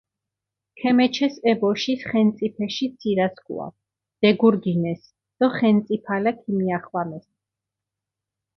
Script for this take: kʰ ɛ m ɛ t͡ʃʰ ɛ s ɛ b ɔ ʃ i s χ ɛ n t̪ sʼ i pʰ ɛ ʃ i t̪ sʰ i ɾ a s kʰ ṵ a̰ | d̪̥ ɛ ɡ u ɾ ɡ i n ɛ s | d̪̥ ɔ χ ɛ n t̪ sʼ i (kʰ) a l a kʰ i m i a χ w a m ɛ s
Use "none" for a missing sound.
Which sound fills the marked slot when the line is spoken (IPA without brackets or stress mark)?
pʰ